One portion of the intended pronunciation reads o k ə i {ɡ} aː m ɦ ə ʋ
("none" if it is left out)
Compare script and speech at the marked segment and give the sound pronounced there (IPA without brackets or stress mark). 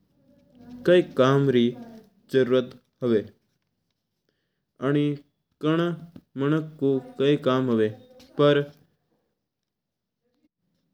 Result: k